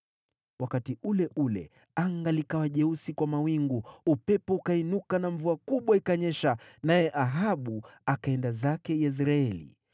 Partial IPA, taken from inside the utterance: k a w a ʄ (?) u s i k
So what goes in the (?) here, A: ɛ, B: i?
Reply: A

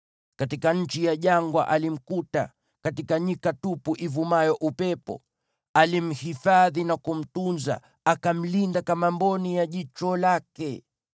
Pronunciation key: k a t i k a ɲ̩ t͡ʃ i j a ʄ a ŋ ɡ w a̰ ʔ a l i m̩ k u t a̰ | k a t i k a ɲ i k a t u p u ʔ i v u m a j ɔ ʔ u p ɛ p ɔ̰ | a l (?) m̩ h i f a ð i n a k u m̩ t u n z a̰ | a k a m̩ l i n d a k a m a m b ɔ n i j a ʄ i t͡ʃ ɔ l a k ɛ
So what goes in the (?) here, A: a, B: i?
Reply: B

